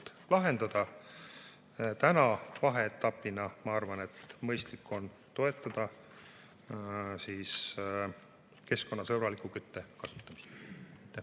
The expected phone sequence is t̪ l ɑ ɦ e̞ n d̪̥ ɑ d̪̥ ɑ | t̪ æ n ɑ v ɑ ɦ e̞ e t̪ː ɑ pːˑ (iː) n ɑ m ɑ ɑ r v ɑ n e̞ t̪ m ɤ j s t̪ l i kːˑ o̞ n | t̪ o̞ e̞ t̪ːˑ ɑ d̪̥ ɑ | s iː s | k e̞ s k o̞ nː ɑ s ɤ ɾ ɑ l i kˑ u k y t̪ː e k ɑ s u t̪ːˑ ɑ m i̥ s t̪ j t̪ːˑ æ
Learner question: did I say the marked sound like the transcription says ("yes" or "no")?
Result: no